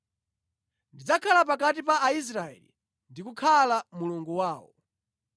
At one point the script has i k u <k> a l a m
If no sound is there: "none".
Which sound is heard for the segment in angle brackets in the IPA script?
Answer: kʰ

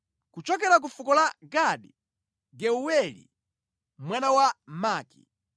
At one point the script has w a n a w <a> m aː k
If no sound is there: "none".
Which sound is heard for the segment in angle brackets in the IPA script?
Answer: a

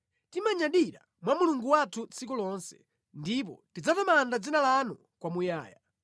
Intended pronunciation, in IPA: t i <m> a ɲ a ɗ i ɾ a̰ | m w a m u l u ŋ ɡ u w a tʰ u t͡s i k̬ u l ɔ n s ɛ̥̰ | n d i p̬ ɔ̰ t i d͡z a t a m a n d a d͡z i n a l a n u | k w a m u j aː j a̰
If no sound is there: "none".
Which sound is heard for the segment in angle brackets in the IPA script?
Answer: m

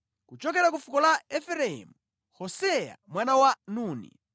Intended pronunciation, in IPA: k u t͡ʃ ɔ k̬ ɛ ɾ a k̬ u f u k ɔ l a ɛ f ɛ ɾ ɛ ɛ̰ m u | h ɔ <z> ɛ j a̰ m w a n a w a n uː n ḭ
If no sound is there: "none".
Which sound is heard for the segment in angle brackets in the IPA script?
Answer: s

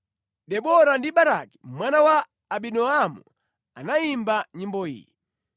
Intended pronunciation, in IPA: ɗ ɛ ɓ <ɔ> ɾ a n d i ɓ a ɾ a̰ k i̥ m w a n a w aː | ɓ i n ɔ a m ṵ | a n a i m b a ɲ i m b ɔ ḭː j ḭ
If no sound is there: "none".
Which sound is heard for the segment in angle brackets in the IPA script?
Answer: ɔ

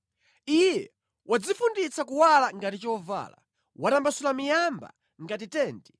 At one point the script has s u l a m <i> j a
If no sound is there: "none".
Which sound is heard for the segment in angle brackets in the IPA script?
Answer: i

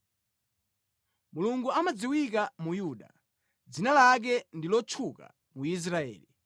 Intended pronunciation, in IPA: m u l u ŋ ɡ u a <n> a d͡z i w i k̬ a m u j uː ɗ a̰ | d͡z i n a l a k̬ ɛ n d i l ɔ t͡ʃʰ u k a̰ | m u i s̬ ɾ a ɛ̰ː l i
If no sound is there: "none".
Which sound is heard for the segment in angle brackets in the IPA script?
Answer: m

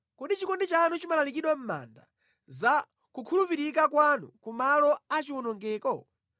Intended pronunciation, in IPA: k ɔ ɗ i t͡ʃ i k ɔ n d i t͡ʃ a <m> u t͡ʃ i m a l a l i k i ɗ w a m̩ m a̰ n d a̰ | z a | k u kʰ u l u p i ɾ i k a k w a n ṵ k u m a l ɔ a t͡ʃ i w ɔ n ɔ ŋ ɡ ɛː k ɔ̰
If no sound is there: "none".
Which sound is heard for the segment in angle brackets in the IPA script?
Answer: n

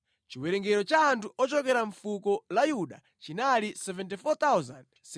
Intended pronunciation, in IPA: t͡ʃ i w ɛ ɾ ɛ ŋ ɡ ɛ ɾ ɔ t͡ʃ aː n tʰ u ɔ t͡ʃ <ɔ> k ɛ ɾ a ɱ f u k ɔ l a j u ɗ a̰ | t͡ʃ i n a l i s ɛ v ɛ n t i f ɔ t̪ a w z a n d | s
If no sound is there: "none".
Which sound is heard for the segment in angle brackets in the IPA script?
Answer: ɔ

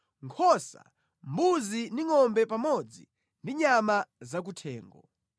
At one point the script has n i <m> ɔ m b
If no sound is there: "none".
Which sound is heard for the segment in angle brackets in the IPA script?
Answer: ŋ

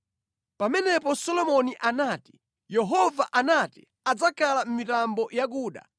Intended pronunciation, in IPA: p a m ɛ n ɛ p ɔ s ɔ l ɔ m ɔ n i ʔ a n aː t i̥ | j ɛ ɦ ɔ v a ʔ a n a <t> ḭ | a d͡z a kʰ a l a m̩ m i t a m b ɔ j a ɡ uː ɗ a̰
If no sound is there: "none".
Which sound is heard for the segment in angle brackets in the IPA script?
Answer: t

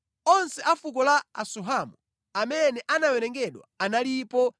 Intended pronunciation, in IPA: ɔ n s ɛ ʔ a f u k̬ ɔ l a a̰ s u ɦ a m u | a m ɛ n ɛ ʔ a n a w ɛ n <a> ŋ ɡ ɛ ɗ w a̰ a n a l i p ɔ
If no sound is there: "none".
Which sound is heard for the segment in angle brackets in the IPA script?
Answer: ɛ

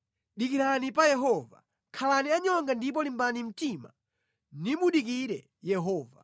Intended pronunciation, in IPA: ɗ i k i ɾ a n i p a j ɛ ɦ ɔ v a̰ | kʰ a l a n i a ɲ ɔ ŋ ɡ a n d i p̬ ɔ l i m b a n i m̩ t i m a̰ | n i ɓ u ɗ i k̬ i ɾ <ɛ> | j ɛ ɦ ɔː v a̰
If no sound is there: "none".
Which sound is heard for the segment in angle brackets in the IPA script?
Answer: ɛ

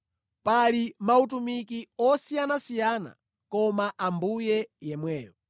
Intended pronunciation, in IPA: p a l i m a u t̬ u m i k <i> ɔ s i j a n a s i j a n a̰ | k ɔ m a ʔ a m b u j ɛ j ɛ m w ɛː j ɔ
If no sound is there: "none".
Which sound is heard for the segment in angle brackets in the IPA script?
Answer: i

